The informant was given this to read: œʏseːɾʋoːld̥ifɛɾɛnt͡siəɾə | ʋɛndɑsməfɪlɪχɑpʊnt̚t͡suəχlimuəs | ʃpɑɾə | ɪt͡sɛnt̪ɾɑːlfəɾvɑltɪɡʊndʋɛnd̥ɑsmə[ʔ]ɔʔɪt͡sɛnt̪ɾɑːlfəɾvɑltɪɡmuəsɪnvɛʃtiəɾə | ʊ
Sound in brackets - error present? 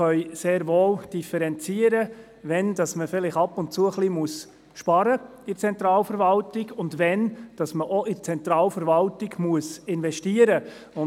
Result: no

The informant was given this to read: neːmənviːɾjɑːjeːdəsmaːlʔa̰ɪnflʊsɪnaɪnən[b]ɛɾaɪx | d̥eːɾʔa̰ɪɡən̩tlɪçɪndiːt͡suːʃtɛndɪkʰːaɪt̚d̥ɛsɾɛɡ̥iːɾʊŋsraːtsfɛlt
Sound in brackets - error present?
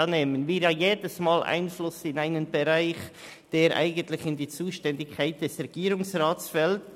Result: no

